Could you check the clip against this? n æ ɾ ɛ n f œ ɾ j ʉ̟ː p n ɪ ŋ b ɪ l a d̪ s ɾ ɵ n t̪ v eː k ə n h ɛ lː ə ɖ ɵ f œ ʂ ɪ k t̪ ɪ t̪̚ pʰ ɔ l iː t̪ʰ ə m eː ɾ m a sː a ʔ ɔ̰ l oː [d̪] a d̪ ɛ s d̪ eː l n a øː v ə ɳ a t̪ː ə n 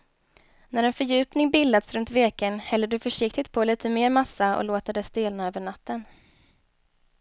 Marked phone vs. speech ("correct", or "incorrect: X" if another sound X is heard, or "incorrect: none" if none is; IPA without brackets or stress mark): incorrect: t̪